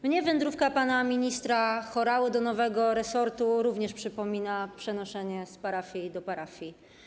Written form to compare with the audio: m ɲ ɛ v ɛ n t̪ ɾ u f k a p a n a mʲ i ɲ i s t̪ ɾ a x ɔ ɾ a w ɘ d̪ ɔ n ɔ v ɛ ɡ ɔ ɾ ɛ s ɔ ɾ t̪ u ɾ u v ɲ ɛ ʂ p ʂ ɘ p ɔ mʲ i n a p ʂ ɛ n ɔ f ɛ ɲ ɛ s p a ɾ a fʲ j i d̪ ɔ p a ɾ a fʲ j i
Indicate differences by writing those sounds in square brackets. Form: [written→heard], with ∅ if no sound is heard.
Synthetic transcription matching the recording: m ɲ ɛ v ɛ n [t̪→d̪] ɾ u f k a p a n a mʲ i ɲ i s t̪ ɾ a x ɔ ɾ a w ɘ d̪ ɔ n ɔ v ɛ ɡ ɔ ɾ ɛ s ɔ ɾ t̪ u ɾ u v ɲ ɛ ʂ p ʂ ɘ p ɔ mʲ i n a p ʂ ɛ n ɔ [f→ʂ] ɛ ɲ ɛ s p a ɾ a fʲ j i d̪ ɔ p a ɾ a fʲ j i

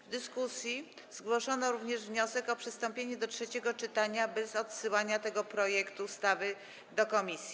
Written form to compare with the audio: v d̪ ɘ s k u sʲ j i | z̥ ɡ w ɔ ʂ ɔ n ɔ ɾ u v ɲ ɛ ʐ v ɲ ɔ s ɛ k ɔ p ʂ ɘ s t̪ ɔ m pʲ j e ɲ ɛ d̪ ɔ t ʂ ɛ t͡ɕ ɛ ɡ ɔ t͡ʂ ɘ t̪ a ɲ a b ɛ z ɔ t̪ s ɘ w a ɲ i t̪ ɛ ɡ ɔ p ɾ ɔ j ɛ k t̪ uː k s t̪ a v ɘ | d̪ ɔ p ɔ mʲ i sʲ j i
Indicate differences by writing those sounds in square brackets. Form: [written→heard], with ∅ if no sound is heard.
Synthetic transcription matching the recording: v d̪ ɘ s k u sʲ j i | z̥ ɡ w ɔ ʂ ɔ n ɔ ɾ u v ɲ ɛ ʐ v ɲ ɔ s ɛ k ɔ p ʂ ɘ s t̪ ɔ m pʲ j e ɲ ɛ d̪ ɔ t ʂ ɛ t͡ɕ ɛ ɡ ɔ t͡ʂ ɘ t̪ a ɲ a b ɛ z ɔ t̪ s ɘ w a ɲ [i→a] t̪ ɛ ɡ ɔ p ɾ ɔ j ɛ k t̪ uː [k→∅] s t̪ a v ɘ | d̪ ɔ [p→k] ɔ mʲ i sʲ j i

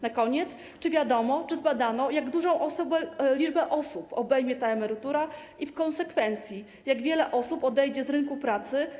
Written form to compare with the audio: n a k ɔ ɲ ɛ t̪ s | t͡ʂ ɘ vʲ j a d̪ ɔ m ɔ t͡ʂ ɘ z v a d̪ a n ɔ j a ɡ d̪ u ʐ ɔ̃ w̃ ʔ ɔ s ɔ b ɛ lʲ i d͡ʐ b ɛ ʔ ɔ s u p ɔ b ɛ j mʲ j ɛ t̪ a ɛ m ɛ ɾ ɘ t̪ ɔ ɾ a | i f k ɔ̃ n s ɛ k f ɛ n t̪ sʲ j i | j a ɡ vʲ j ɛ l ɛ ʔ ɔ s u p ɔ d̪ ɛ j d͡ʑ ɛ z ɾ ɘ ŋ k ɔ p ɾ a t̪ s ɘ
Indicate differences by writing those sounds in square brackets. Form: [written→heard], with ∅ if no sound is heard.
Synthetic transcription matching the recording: n a k ɔ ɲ ɛ t̪ s | t͡ʂ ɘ vʲ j a d̪ ɔ m ɔ t͡ʂ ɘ z [v→b] a d̪ a n ɔ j a ɡ d̪ u ʐ ɔ̃ w̃ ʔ ɔ s ɔ b ɛ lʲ i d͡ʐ b ɛ ʔ ɔ s u p ɔ b ɛ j mʲ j ɛ t̪ a ɛ m ɛ ɾ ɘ t̪ [ɔ→u] ɾ a | i f k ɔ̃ n s ɛ k f ɛ n t̪ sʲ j i | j a ɡ vʲ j ɛ l ɛ ʔ ɔ s u p ɔ d̪ ɛ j d͡ʑ ɛ z ɾ ɘ ŋ k [ɔ→u] p ɾ a t̪ s ɘ

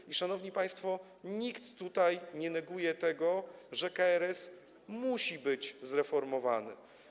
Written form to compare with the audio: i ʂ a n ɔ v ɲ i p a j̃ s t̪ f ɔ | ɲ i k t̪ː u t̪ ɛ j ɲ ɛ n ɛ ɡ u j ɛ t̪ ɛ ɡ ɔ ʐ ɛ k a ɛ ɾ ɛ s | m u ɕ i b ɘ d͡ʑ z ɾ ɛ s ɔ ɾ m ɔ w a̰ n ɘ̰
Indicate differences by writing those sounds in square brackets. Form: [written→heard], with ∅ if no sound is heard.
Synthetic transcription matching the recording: i ʂ a n ɔ v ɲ i p a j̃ s t̪ f ɔ | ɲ i k t̪ː u t̪ [ɛ→a] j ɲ ɛ n ɛ ɡ u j ɛ t̪ ɛ ɡ ɔ ʐ ɛ k a ɛ ɾ ɛ s | m u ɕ i b ɘ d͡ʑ z ɾ ɛ [s→f] ɔ ɾ m ɔ [w→v] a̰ n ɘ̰

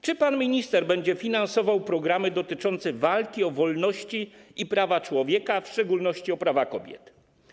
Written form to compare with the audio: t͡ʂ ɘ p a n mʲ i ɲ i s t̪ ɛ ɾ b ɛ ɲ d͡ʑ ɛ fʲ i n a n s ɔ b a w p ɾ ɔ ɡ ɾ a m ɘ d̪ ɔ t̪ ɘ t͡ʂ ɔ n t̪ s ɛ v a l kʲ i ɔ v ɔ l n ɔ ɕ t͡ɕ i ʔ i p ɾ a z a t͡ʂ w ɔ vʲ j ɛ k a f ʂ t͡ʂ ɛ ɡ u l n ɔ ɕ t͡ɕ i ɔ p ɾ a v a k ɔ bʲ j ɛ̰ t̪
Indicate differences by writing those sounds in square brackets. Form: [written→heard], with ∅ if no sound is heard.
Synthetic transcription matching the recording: t͡ʂ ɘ p a n mʲ i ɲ i s t̪ ɛ ɾ b ɛ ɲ d͡ʑ ɛ fʲ i n a n s ɔ [b→v] a w p ɾ ɔ ɡ ɾ a m ɘ d̪ ɔ t̪ ɘ t͡ʂ ɔ n t̪ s ɛ v a l kʲ i ɔ v ɔ l n ɔ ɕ t͡ɕ i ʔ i p ɾ a [z→v] a t͡ʂ w ɔ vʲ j ɛ k a f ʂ t͡ʂ ɛ ɡ u l n ɔ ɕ t͡ɕ i ɔ p ɾ a v a k ɔ bʲ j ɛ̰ t̪

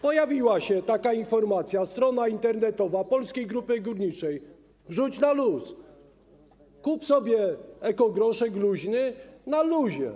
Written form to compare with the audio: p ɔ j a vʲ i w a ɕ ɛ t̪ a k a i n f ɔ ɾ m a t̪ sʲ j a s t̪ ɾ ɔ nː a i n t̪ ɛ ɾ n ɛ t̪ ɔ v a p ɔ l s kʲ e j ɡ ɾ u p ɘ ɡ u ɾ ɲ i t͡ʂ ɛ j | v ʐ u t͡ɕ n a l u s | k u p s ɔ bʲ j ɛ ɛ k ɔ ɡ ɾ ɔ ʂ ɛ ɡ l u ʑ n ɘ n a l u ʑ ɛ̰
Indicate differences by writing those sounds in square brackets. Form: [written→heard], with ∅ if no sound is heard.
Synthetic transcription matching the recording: p ɔ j a vʲ i w a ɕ ɛ t̪ a k a i n f ɔ ɾ m a t̪ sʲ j a s t̪ ɾ ɔ [nː→n] a i n t̪ ɛ ɾ n ɛ t̪ ɔ v a p ɔ l s kʲ e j ɡ ɾ u p ɘ ɡ u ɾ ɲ i t͡ʂ ɛ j | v ʐ u t͡ɕ n a l u s | k u p s ɔ bʲ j ɛ ɛ k ɔ ɡ ɾ ɔ ʂ ɛ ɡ l u ʑ n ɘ n a l u ʑ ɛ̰

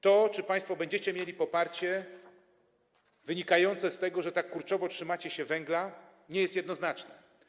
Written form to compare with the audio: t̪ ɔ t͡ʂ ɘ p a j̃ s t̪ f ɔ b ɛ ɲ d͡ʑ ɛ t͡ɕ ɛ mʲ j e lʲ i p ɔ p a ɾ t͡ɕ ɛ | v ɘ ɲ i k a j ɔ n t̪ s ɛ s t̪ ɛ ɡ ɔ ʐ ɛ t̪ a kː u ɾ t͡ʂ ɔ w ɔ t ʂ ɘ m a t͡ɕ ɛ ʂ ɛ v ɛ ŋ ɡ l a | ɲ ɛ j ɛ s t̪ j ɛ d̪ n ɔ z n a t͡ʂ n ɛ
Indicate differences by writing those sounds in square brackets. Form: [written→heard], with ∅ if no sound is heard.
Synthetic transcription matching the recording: t̪ ɔ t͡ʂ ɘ p a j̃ s t̪ f ɔ b ɛ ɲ d͡ʑ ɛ t͡ɕ ɛ mʲ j e lʲ i p ɔ p a ɾ t͡ɕ ɛ | v ɘ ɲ i k a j ɔ n t̪ s ɛ s t̪ ɛ ɡ ɔ ʐ ɛ t̪ a kː u ɾ t͡ʂ ɔ [w→v] ɔ t ʂ ɘ m a t͡ɕ ɛ [ʂ→ɕ] ɛ v ɛ ŋ ɡ l a | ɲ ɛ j ɛ s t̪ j ɛ d̪ n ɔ z n a t͡ʂ n ɛ

